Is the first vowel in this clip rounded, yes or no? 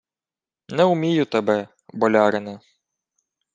no